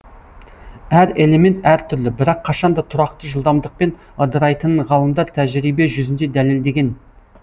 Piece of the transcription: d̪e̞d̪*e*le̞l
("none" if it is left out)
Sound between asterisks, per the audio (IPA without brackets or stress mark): æ